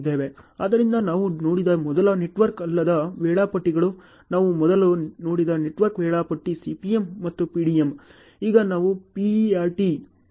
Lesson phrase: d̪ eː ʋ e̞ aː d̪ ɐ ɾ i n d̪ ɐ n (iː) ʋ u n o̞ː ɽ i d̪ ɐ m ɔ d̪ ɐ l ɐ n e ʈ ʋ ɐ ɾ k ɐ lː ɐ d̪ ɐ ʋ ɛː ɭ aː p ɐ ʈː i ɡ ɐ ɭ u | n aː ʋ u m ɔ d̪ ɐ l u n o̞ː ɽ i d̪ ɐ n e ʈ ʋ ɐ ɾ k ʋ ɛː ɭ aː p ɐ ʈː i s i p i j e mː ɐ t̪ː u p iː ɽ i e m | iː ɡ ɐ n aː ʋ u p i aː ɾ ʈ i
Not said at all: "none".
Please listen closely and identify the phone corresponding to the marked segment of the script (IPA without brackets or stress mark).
aː